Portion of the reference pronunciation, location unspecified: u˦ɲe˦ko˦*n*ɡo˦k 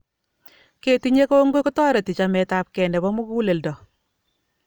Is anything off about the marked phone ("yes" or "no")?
yes